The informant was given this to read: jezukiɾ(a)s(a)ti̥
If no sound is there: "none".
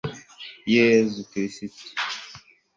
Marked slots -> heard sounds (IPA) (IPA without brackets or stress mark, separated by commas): i, i